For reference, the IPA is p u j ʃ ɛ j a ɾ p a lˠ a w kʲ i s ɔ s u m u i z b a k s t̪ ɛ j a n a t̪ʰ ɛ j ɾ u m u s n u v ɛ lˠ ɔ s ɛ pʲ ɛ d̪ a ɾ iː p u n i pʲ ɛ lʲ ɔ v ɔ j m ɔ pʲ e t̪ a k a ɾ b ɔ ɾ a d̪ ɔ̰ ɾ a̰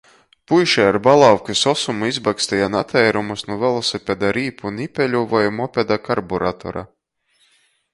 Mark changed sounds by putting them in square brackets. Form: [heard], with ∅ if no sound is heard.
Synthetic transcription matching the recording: p u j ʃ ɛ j a ɾ [b] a lˠ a w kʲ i s ɔ s u m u i z b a k s t̪ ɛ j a n a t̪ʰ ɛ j ɾ u m u s n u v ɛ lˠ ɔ s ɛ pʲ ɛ d̪ a ɾ iː p u n i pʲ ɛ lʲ [u] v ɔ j m ɔ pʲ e [d̪] a k a ɾ b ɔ ɾ a [t̪] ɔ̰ ɾ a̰